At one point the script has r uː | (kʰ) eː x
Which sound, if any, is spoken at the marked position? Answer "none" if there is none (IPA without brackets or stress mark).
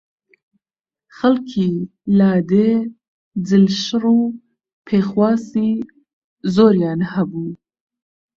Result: pʰ